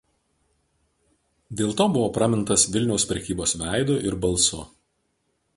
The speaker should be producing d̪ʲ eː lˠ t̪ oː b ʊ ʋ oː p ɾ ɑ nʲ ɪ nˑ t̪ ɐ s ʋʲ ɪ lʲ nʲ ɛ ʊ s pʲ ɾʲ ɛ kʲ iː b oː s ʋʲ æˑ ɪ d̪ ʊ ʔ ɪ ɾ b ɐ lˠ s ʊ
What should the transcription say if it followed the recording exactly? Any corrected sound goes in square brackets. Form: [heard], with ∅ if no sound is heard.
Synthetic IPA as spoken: d̪ʲ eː lˠ t̪ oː b ʊ ʋ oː p ɾ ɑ [mʲ] ɪ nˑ t̪ ɐ s ʋʲ ɪ lʲ nʲ ɛ ʊ s pʲ ɾʲ ɛ kʲ iː b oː s ʋʲ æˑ ɪ d̪ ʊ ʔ ɪ ɾ b ɐ lˠ s ʊ